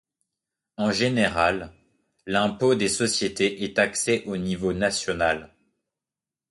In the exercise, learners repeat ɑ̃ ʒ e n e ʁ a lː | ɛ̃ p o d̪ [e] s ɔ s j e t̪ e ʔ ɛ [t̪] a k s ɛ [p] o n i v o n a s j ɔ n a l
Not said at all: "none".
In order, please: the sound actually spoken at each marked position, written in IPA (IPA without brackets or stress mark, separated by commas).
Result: e, t̪, ʔ